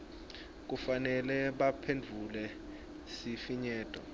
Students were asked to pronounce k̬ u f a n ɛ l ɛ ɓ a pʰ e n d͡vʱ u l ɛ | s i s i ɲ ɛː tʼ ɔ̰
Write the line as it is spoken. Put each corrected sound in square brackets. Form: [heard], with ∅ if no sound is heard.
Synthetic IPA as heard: k̬ u f a n ɛ l ɛ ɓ a pʰ e n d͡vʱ u l ɛ | s i [f] i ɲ ɛː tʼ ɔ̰